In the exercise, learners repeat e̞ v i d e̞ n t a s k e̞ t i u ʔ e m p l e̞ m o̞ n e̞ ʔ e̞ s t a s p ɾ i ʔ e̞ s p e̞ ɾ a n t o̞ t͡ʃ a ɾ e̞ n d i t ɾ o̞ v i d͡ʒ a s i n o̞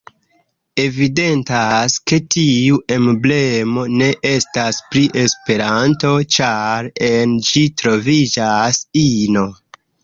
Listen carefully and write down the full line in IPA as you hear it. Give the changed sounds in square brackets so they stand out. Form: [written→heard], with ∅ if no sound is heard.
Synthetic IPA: e̞ v i d e̞ n t a s k e̞ t i u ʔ e m [p→b] l e̞ m o̞ n e̞ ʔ e̞ s t a s p ɾ i ʔ e̞ s p e̞ ɾ a n t o̞ t͡ʃ a ɾ e̞ n [d→d͡ʒ] i t ɾ o̞ v i d͡ʒ a s i n o̞